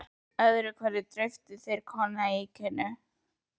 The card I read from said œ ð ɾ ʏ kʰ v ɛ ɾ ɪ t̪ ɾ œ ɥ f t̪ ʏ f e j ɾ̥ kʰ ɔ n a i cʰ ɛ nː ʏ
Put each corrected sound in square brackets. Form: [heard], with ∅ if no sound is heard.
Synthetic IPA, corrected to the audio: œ ð ɾ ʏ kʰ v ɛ ɾ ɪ t̪ ɾ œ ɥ f t̪ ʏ [θ] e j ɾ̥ kʰ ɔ n a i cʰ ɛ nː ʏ